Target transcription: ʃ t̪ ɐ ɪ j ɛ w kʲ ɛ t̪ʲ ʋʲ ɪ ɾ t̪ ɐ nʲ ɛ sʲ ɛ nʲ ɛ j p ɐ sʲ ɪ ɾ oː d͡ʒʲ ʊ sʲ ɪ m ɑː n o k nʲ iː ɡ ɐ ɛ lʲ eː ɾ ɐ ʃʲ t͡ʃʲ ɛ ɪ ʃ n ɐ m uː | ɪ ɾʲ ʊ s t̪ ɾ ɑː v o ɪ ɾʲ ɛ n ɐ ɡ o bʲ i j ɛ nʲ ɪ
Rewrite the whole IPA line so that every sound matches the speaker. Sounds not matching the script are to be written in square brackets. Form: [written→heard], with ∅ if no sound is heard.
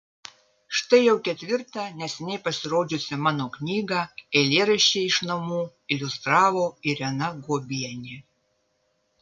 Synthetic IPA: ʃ t̪ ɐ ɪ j ɛ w kʲ ɛ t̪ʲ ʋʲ ɪ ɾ t̪ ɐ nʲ ɛ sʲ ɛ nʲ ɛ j p ɐ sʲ ɪ ɾ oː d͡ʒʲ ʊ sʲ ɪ m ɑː n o k nʲ iː ɡ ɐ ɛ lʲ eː ɾ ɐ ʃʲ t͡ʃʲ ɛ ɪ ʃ n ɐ m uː | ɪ [ɾʲ→lʲ] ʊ s t̪ ɾ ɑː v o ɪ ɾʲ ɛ n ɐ ɡ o bʲ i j ɛ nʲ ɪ